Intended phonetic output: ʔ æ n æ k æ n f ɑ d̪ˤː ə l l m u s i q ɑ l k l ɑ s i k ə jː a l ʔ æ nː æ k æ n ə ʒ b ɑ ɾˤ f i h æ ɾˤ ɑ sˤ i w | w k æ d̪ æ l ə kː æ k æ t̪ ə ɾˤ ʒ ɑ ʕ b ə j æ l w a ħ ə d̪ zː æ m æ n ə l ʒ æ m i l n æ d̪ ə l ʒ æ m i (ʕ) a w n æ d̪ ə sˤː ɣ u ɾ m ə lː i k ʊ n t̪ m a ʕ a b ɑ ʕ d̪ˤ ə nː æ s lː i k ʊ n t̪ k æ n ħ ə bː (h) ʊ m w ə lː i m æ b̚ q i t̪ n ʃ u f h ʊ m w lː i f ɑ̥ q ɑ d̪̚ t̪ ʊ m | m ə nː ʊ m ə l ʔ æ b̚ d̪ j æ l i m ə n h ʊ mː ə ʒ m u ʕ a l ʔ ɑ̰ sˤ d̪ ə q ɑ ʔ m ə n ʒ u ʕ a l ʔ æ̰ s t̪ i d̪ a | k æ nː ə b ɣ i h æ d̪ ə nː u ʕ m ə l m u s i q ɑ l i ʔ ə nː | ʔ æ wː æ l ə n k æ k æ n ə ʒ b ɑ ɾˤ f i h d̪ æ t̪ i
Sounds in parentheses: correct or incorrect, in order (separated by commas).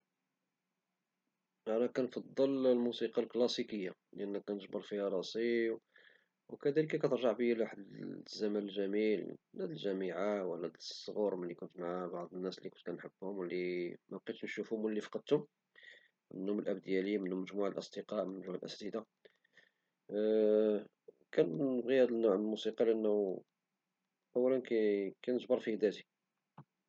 correct, correct